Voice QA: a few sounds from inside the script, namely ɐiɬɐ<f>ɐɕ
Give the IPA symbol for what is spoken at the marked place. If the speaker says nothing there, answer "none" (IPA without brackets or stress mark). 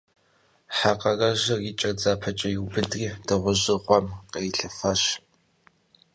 f